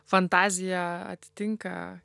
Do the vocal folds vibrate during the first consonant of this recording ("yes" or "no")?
no